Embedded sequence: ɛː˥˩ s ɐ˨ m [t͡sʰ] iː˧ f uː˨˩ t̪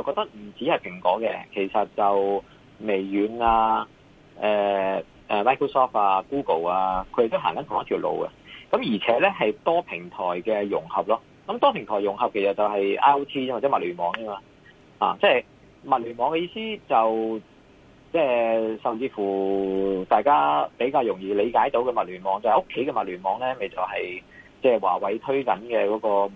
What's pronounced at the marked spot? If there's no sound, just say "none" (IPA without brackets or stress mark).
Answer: t͡s